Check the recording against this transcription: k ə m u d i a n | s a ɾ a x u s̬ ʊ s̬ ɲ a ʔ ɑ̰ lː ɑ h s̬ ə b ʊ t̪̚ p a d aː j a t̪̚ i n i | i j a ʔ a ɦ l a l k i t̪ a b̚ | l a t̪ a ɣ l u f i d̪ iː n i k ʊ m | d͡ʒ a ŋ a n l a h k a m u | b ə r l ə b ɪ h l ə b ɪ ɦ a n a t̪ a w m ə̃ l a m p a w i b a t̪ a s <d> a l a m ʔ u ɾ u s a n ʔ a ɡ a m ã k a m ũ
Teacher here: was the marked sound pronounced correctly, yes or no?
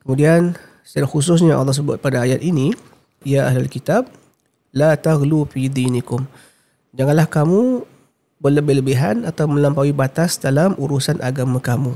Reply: yes